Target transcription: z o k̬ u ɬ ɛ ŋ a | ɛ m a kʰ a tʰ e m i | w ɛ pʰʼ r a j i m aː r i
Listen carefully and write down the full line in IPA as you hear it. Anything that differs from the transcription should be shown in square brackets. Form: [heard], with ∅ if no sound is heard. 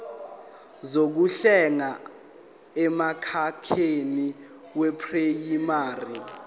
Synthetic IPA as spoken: z o k̬ u ɬ ɛ ŋ a | ɛ m a kʰ a [kʰ] e [n] i | w ɛ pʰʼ r [e] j i m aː r i